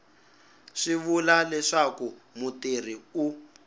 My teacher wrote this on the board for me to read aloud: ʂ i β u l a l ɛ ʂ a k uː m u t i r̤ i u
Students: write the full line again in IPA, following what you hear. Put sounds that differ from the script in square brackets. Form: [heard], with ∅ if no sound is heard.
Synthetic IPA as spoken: ʂ i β u l a l ɛ ʂ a k [u] m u t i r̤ i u